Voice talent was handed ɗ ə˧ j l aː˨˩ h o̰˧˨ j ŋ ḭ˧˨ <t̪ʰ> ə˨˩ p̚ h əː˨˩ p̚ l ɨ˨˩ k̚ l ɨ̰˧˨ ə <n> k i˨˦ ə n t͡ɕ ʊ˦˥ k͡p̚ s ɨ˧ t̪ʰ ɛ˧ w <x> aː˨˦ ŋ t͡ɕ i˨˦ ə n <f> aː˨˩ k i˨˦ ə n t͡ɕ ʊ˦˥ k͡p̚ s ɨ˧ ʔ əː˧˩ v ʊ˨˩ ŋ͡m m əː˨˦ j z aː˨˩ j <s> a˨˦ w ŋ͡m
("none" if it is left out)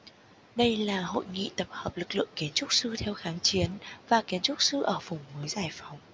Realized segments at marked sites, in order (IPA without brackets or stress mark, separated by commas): t̪, ŋ, x, v, f